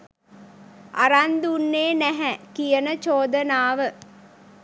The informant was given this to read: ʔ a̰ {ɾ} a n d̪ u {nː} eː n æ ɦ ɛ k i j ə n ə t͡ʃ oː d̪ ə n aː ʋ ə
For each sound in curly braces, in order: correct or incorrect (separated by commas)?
correct, correct